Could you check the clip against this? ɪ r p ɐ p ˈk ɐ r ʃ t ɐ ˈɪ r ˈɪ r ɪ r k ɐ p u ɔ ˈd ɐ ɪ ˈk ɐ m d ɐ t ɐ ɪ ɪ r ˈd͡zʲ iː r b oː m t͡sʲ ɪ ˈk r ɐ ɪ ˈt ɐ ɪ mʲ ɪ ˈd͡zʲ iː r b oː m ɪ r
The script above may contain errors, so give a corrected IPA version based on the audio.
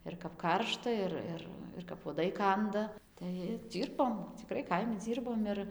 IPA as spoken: ɪ r k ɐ p ˈk ɐ r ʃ t ɐ ˈɪ r ˈɪ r ɪ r k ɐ p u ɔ ˈd ɐ ɪ ˈk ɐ n d ɐ t ɐ ɪ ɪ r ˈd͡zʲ iː r b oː m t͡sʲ ɪ ˈk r ɐ ɪ ˈk ɐ ɪ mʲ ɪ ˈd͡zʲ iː r b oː m ɪ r